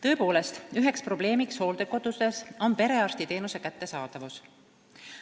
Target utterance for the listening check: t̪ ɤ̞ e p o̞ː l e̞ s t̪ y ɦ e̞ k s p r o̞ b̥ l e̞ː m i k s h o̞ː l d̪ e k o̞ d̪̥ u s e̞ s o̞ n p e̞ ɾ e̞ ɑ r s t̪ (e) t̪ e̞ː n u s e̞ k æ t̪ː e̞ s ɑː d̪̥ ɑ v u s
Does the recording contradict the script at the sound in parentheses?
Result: yes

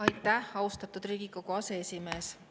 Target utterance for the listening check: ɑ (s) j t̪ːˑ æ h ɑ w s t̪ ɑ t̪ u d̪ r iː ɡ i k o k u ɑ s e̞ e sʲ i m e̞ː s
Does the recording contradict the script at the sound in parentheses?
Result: yes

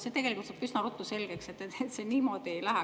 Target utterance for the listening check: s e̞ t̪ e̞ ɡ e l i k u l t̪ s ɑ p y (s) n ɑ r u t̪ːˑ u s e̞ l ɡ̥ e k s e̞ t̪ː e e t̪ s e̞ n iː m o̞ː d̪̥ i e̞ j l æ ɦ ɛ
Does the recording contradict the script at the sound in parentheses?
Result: no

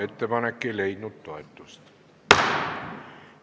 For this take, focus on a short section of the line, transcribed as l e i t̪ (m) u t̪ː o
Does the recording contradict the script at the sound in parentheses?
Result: yes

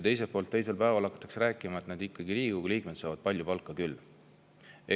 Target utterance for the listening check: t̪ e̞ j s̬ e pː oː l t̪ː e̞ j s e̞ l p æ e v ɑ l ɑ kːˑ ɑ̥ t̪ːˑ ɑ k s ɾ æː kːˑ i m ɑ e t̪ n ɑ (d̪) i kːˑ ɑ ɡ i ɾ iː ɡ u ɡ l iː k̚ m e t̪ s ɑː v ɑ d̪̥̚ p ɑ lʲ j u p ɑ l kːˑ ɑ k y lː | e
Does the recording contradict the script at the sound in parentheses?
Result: no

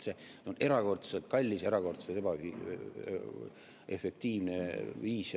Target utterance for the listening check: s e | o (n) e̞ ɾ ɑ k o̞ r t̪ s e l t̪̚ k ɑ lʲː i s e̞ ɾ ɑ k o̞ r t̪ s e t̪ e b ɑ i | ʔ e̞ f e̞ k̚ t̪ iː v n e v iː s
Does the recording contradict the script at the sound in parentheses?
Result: no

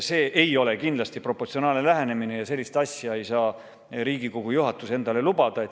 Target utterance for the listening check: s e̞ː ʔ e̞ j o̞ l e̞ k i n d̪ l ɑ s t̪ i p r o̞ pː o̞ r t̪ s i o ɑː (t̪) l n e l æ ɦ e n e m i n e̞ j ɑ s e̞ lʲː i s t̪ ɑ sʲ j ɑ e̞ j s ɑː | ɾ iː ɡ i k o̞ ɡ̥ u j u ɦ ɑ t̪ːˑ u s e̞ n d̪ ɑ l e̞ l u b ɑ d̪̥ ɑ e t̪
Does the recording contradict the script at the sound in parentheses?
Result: yes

